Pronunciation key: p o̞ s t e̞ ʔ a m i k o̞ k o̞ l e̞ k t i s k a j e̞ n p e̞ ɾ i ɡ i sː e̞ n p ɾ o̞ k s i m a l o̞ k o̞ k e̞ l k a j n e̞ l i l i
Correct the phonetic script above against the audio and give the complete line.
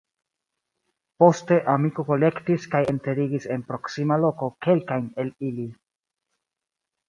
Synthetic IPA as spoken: p o̞ s t e̞ ʔ a m i k o̞ k o̞ l e̞ k t i s k a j e̞ n t e̞ ɾ i ɡ i s e̞ n p ɾ o̞ k s i m a l o̞ k o̞ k e̞ l k a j n e̞ l i l i